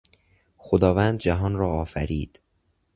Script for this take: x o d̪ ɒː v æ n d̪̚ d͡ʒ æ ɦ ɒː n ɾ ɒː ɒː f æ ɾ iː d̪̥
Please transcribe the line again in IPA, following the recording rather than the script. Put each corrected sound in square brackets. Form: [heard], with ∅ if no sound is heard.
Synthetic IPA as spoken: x o d̪ ɒː v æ n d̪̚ d͡ʒ æ ɦ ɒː n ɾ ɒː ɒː f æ ɾ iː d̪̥